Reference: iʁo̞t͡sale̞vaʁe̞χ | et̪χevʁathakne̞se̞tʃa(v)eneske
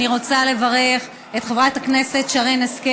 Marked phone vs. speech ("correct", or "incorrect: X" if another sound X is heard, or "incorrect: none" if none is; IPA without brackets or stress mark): incorrect: ʁ